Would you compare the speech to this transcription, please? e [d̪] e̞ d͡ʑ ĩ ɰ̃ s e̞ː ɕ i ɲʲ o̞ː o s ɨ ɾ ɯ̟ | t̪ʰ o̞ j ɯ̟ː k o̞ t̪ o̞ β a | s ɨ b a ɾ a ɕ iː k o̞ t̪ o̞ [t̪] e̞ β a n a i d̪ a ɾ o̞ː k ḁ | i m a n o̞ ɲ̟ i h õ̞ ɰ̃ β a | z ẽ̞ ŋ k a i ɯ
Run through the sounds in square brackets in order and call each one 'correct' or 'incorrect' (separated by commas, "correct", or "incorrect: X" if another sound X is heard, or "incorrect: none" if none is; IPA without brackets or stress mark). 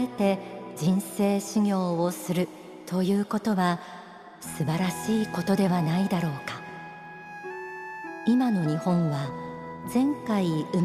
incorrect: t̪, incorrect: d̪